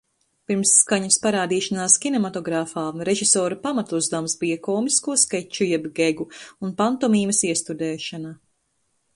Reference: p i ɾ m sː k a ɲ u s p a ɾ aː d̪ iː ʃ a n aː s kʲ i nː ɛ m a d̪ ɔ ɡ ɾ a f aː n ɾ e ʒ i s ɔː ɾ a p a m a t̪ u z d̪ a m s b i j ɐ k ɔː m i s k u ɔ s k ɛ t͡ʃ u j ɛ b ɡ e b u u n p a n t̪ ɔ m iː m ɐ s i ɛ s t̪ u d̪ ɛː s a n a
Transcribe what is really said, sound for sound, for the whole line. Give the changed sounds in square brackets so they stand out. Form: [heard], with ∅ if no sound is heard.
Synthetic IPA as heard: p i ɾ m sː k a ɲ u s p a ɾ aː d̪ iː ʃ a n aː s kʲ i [n] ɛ m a [t̪] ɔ ɡ ɾ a f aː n ɾ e ʒ i s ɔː ɾ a p a m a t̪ u z d̪ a m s b i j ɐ k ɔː m i s k u ɔ s k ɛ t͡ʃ u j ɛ b ɡ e [ɡ] u u n p a n t̪ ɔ m iː m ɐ s i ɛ s t̪ u d̪ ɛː [ʃ] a n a